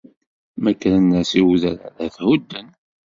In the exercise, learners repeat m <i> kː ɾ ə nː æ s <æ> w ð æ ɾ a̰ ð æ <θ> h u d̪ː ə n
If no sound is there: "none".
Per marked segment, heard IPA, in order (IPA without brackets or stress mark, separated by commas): æ, i, θ